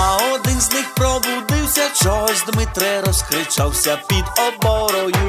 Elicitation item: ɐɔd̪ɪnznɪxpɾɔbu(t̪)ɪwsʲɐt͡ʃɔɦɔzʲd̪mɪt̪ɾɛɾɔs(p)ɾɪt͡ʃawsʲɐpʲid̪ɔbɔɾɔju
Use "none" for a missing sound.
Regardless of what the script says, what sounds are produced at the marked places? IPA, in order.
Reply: d̪, k

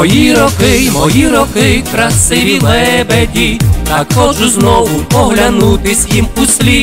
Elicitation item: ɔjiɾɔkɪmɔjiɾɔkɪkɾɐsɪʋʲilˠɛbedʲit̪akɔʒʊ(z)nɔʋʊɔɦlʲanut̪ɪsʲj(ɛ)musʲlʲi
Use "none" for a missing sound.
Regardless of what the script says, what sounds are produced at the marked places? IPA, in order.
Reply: z, i

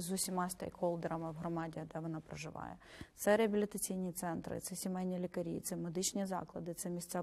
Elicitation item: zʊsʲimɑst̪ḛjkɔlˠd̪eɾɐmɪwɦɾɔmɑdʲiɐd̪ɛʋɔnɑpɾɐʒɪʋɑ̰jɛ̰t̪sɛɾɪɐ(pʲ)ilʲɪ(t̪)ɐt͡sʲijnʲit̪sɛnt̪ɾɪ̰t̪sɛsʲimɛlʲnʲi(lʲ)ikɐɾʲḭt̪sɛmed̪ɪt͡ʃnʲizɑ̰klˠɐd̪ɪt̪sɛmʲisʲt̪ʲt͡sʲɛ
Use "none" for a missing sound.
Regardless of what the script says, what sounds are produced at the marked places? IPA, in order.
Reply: bʲ, t̪, lʲ

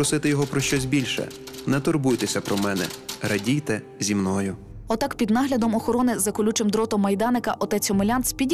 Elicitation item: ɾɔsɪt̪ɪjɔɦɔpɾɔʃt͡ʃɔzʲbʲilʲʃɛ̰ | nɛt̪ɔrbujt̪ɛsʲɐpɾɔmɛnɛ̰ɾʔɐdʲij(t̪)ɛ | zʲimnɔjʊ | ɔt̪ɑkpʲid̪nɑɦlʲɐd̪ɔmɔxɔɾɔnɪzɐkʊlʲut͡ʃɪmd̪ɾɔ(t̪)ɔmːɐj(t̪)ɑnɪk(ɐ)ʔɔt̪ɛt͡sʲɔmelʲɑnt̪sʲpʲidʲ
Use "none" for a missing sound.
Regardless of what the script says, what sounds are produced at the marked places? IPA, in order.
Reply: t̪, t̪, d̪, ɐ

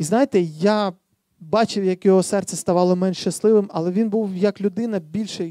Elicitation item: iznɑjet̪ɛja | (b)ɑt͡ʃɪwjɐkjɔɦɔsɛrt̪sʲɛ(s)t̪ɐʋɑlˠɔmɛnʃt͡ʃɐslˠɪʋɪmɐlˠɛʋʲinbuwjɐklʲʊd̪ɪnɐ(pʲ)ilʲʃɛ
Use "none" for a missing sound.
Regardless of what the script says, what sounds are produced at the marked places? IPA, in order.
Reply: b, s, bʲ

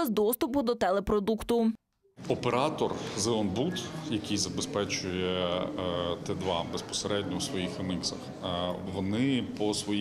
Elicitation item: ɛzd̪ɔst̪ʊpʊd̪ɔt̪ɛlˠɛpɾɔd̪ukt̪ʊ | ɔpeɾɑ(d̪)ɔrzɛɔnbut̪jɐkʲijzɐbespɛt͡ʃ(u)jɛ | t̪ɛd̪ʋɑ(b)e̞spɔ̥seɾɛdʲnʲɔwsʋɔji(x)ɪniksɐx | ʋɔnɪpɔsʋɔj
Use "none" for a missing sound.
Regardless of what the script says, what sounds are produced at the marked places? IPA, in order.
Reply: t̪, ʊ, b, x

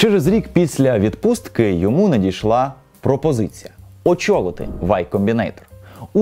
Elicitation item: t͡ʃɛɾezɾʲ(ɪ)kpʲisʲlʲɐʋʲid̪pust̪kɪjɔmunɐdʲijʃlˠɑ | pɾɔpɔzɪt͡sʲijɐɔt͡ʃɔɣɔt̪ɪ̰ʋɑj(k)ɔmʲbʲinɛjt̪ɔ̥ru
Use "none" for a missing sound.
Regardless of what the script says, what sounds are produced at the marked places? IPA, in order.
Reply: i, k

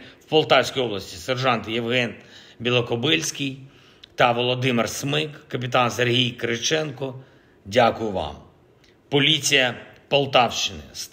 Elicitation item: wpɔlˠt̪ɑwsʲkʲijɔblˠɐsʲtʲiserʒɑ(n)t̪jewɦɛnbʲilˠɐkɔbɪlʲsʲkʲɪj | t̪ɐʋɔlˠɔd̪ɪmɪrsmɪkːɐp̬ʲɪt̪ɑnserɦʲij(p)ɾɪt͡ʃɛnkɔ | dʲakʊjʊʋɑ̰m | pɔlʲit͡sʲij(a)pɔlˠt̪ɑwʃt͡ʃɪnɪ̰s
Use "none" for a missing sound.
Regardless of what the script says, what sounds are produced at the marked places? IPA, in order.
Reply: n, k, ɐ

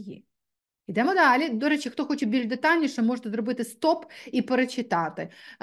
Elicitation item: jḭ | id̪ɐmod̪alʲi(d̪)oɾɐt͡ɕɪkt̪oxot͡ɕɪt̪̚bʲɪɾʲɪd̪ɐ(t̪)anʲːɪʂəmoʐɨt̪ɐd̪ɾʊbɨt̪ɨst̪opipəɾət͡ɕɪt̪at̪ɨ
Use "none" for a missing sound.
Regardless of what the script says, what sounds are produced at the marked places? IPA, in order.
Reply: d̪, t̪

